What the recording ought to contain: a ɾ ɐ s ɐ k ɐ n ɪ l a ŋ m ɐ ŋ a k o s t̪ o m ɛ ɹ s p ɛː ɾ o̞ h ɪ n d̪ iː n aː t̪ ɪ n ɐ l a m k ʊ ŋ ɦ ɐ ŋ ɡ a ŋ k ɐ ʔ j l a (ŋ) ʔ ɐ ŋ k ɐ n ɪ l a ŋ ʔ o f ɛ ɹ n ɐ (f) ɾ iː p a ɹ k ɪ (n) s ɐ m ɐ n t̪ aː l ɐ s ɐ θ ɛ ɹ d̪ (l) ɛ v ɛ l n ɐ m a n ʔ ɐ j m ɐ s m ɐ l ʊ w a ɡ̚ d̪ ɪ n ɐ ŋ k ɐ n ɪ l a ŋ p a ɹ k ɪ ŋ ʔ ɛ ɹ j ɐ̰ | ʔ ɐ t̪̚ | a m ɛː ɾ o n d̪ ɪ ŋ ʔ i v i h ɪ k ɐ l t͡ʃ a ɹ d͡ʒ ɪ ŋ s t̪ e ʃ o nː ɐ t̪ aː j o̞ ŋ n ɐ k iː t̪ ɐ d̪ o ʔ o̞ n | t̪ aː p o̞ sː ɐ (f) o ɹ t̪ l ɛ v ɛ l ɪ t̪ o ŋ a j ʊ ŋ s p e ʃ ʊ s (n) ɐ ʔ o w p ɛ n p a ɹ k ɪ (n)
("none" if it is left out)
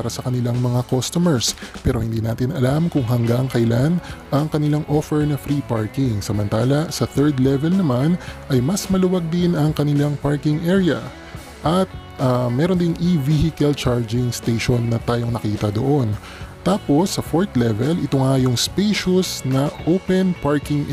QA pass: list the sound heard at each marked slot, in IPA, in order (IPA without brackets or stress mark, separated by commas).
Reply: n, f, ŋ, l, f, n, ŋ